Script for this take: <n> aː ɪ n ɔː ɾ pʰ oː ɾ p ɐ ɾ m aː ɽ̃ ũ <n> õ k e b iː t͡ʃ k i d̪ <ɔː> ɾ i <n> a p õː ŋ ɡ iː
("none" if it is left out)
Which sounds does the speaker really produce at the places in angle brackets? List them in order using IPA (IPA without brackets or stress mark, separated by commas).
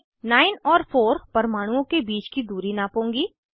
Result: n, none, uː, n